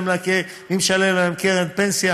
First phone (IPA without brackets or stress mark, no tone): m